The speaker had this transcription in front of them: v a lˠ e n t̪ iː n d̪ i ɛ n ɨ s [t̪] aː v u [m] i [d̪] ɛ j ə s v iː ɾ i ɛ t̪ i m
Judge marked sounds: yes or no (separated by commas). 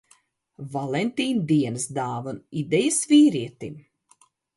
no, no, yes